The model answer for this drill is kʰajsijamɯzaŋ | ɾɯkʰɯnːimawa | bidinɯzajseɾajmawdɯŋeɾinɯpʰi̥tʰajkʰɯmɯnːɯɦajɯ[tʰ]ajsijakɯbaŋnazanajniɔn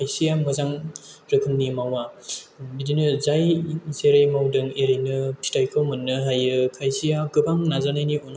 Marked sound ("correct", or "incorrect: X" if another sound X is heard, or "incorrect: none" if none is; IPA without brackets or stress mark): incorrect: kʰ